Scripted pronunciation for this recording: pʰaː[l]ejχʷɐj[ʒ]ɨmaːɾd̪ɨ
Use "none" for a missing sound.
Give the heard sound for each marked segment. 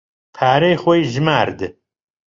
ɾ, ʒ

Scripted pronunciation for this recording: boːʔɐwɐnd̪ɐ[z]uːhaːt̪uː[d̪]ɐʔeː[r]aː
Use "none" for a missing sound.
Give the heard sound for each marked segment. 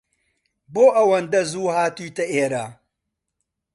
z, t̪, ɾ

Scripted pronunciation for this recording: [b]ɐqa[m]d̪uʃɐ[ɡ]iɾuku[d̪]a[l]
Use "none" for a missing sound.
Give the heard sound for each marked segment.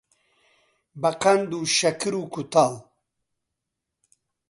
b, n, k, t̪, l

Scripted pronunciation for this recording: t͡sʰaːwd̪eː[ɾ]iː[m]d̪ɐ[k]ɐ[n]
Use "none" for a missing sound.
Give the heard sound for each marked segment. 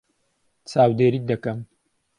ɾ, none, k, m

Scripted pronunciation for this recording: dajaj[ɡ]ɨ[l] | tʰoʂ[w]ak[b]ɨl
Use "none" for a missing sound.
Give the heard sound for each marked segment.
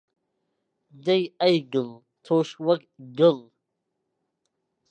ɡ, l, w, ɡ

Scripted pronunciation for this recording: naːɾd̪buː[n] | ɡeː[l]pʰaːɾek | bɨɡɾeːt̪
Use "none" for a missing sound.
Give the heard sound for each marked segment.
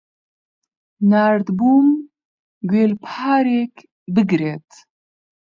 m, l

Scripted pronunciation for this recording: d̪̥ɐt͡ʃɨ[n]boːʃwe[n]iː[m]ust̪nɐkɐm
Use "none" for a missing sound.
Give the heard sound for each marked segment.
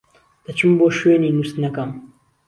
m, n, n

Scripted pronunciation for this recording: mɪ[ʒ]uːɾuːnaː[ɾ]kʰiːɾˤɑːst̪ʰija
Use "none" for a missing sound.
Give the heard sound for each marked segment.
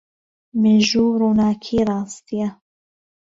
ʒ, none

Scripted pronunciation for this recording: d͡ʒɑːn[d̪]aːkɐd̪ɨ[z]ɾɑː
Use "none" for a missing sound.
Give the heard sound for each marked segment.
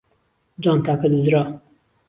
t̪, z

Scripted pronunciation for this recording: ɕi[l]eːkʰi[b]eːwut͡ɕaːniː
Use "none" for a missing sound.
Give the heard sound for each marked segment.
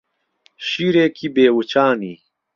ɾ, b

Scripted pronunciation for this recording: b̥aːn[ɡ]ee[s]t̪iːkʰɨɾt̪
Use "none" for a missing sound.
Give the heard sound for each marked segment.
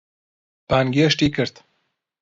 ɡ, ʃ

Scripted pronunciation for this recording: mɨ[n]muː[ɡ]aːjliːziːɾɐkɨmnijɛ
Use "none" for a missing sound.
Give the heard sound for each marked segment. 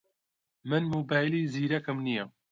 n, b

